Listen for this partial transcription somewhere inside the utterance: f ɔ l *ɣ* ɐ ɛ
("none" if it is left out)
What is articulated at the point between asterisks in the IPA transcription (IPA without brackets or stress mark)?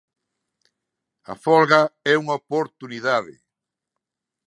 ɣ